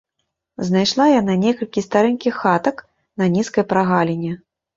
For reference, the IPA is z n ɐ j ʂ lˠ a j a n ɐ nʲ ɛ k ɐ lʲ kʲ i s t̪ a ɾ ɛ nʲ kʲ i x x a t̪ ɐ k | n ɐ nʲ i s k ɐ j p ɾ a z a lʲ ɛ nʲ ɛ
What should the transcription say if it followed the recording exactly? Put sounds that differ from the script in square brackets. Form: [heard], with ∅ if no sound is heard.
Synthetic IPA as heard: z n [a] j ʂ lˠ a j a n [a] nʲ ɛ k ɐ lʲ kʲ i s t̪ a ɾ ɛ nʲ kʲ i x x a t̪ ɐ k | n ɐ nʲ i s k ɐ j p ɾ a [ɣ] a lʲ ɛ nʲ ɛ